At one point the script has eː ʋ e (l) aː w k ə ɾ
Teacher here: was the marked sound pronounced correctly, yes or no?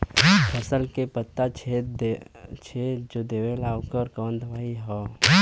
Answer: yes